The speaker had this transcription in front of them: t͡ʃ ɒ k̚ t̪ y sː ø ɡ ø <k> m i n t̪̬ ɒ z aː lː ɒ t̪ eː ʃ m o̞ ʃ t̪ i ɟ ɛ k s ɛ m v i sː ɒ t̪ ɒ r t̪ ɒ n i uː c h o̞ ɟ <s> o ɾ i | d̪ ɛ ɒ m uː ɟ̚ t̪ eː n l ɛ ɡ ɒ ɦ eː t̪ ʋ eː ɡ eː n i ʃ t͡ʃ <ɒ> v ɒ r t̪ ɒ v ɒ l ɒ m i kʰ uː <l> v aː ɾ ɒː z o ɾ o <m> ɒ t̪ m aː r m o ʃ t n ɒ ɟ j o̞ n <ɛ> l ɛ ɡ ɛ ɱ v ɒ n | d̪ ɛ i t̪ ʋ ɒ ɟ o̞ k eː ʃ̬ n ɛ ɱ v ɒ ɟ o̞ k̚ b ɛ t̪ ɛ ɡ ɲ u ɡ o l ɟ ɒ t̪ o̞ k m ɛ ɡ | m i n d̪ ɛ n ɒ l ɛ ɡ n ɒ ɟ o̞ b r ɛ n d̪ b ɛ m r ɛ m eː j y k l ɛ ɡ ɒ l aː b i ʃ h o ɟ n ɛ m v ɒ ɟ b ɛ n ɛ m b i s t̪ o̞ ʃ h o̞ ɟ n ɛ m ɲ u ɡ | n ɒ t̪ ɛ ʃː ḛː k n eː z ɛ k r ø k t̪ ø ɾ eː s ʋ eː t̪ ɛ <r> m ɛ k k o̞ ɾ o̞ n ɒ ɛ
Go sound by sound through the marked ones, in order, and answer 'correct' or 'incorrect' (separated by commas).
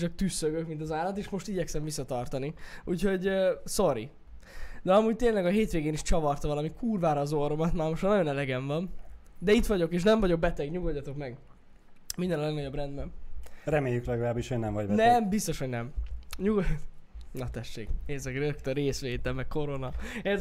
correct, correct, correct, incorrect, correct, correct, incorrect